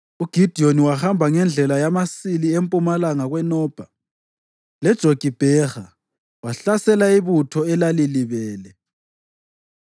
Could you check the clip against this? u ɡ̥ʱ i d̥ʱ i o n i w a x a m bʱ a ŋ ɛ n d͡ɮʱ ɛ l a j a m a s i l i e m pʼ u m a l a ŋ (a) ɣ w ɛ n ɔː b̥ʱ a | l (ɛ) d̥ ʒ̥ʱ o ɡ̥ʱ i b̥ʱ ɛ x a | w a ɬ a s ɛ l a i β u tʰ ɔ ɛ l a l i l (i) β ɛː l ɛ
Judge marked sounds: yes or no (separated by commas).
yes, yes, yes